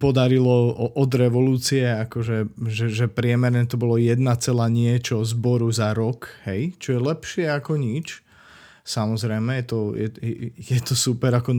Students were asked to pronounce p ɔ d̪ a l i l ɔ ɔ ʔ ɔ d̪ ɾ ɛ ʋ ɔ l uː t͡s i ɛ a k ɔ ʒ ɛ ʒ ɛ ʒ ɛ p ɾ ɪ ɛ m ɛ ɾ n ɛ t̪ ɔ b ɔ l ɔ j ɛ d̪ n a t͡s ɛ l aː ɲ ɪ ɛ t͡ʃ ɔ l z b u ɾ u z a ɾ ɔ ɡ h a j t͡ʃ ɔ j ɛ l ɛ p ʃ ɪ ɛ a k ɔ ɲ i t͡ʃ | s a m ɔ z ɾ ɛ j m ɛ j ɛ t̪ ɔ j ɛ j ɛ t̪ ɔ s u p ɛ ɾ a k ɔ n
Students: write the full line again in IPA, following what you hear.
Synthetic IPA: p ɔ d̪ a ɾ i l ɔ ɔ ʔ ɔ d̪ ɾ ɛ ʋ ɔ l uː t͡s i ɛ a k ɔ ʒ ɛ ʒ ɛ ʒ ɛ p ɾ ɪ ɛ m ɛ ɾ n ɛ t̪ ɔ b ɔ l ɔ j ɛ d̪ n a t͡s ɛ l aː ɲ ɪ ɛ t͡ʃ ɔ z b ɔ ɾ u z a ɾ ɔ k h ɛ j t͡ʃ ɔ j ɛ l ɛ p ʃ ɪ ɛ a k ɔ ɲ i t͡ʃ | s a m ɔ z ɾ ɛ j m ɛ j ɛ t̪ ɔ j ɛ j ɛ t̪ ɔ s u p ɛ ɾ a k ɔ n